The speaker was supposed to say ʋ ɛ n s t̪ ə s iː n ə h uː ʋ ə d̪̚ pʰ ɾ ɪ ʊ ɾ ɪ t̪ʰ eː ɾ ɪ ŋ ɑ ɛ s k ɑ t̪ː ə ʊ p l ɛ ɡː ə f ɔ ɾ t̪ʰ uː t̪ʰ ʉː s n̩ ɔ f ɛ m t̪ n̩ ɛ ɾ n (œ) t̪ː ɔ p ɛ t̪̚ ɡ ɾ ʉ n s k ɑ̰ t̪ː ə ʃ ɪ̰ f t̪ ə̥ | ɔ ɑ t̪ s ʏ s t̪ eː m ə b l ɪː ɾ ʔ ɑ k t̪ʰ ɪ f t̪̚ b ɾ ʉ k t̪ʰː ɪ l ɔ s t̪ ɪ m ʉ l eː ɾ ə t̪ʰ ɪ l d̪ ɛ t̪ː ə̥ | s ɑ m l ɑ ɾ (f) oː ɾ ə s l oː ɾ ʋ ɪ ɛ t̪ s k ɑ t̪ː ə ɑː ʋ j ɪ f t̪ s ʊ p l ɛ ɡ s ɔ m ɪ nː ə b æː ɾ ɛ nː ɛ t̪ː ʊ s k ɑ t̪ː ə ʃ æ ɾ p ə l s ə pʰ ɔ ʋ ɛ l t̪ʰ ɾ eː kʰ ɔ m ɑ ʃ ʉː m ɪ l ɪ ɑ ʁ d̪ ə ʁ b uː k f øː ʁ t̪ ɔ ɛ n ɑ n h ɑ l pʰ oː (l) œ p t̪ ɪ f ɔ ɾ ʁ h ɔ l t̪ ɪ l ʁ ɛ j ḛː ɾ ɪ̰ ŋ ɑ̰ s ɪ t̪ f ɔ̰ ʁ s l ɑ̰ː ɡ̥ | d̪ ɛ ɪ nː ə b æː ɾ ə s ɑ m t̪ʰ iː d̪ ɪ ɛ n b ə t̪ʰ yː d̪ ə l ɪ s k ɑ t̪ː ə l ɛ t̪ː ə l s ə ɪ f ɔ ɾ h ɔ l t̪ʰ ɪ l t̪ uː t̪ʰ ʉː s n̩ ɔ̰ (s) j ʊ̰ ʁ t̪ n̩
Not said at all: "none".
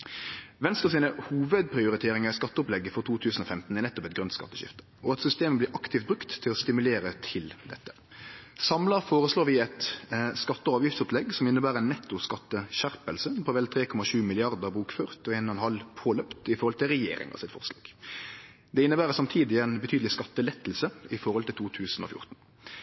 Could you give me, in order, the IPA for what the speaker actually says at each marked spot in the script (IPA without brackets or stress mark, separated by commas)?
ɛ, f, l, f